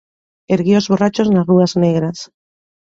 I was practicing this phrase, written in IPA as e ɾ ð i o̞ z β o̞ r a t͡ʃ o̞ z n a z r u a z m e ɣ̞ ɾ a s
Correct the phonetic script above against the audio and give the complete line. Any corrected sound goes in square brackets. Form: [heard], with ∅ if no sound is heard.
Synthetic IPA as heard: e ɾ [ɣ] i o̞ z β o̞ r a t͡ʃ o̞ z n a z r u a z [n] e ɣ̞ ɾ a s